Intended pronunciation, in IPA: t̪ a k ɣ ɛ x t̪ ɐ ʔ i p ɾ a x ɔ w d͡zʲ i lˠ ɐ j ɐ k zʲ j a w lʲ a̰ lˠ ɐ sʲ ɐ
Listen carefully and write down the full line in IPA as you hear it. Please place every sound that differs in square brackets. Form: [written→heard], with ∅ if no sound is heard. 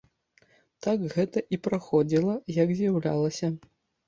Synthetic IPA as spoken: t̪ a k ɣ ɛ [x→∅] t̪ ɐ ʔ i p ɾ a x ɔ [w→∅] d͡zʲ i lˠ ɐ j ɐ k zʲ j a w lʲ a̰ lˠ ɐ sʲ ɐ